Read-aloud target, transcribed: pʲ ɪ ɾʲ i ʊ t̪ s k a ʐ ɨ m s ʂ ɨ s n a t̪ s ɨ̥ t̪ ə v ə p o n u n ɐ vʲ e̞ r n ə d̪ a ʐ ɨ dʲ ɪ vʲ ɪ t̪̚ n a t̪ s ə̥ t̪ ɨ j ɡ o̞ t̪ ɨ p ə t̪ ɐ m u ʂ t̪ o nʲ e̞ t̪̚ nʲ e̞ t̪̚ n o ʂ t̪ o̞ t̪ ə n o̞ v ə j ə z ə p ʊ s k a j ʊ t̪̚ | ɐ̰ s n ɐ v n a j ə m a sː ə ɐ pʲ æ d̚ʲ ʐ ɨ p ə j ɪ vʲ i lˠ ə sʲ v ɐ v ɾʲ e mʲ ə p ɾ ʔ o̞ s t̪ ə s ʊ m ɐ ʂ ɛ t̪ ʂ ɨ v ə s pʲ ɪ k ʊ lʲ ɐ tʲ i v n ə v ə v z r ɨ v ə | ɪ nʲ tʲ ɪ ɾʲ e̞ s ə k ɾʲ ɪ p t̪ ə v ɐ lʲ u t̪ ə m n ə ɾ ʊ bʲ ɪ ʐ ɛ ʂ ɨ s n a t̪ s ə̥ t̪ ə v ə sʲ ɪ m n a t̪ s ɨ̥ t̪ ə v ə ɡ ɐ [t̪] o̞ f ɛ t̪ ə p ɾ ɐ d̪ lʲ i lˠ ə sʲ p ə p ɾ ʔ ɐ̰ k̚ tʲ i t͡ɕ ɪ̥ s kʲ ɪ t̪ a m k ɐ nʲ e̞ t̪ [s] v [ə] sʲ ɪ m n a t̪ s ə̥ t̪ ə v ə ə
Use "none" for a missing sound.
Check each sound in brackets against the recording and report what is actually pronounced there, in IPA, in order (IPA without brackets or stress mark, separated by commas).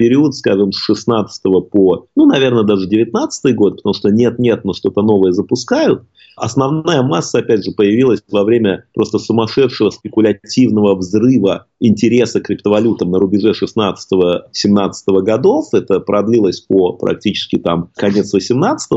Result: d̪, s, ə